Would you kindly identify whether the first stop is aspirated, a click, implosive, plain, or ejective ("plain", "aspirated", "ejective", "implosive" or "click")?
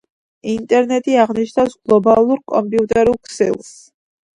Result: ejective